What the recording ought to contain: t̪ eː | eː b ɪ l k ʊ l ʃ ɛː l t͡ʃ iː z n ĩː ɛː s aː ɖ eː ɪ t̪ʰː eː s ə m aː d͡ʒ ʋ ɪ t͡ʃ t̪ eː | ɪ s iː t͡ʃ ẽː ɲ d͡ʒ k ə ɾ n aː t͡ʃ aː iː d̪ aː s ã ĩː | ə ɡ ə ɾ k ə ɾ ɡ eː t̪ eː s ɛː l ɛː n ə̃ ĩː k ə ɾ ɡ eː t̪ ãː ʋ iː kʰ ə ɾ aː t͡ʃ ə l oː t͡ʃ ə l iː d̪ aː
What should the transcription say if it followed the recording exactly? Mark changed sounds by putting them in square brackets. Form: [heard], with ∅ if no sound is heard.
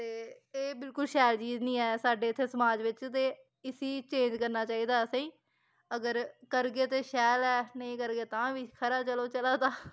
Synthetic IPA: t̪ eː | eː b ɪ l k ʊ l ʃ ɛː l t͡ʃ iː z n ĩː ɛː s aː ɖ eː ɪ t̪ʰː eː s ə m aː d͡ʒ ʋ ɪ t͡ʃ t̪ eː | ɪ s iː t͡ʃ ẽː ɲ d͡ʒ k ə ɾ n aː t͡ʃ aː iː d̪ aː s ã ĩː | ə ɡ ə ɾ k ə ɾ ɡ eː t̪ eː [ʃ] ɛː l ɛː n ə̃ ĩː k ə ɾ ɡ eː t̪ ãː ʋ iː kʰ ə ɾ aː t͡ʃ ə l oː t͡ʃ ə l [aː] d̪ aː